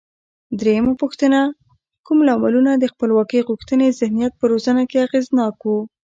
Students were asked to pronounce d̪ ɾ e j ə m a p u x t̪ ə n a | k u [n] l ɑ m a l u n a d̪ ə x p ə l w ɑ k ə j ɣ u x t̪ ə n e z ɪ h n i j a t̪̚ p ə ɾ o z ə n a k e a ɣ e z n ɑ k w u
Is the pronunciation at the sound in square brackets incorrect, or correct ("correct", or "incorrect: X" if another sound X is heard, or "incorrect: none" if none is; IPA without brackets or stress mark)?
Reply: incorrect: m